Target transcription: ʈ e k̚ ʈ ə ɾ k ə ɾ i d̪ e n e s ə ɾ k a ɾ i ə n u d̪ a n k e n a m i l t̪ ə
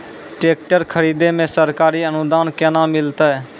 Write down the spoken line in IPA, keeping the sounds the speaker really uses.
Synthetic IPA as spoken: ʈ e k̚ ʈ ə ɾ kʰ ə ɾ i d̪ e m e s ə ɾ k a ɾ i ə n u d̪ a n k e n a m i l t̪ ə